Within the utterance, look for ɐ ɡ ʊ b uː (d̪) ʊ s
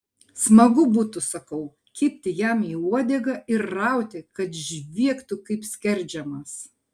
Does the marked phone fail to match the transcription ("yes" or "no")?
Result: yes